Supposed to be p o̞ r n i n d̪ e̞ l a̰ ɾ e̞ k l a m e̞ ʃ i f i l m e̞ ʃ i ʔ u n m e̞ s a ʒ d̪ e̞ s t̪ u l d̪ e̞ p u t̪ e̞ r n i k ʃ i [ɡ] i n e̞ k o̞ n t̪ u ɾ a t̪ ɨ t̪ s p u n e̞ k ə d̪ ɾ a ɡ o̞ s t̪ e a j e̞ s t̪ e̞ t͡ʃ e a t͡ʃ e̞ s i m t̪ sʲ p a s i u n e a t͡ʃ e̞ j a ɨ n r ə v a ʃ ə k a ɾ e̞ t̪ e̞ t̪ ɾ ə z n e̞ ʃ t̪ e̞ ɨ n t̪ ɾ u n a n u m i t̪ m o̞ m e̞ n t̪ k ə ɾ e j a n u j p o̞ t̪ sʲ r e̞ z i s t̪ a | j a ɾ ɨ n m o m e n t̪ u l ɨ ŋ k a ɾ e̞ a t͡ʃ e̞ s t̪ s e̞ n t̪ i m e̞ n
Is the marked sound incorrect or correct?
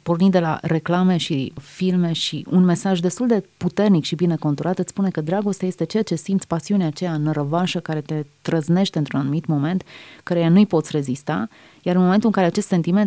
incorrect